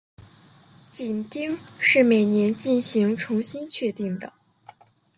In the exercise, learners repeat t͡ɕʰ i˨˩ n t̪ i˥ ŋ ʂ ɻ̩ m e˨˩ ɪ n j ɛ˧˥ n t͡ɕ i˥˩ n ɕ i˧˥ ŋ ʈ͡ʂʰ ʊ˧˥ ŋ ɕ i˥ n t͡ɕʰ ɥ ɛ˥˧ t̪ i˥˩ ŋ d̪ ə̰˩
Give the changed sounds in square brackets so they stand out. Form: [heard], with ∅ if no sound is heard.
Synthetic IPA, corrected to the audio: [t͡ɕ] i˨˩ n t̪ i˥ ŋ ʂ ɻ̩ m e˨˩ ɪ n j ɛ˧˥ n t͡ɕ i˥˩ n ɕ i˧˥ ŋ ʈ͡ʂʰ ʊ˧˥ ŋ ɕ i˥ n t͡ɕʰ ɥ ɛ˥˧ t̪ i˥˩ ŋ d̪ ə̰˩